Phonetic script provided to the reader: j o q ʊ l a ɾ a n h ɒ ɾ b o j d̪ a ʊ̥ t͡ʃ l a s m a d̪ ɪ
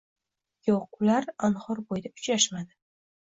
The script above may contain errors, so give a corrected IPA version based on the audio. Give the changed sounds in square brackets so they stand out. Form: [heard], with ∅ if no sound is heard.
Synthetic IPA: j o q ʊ l a ɾ a n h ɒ ɾ b o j d̪ a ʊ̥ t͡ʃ [ɾ] a [ʃ] m a d̪ ɪ